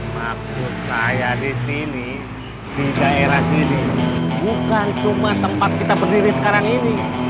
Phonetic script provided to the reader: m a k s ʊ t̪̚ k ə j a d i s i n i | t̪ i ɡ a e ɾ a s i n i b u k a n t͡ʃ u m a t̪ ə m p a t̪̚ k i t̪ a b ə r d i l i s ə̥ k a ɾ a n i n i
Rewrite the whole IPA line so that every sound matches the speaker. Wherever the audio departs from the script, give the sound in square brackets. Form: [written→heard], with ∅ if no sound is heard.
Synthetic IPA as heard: m a k s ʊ t̪̚ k [ə→a] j a d i s i n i | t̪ i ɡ a e ɾ a s i n i b u k a n t͡ʃ u m a t̪ ə m p a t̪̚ k i t̪ a b ə r d i [l→ɾ] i s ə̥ k a ɾ a [n→ŋ] i n i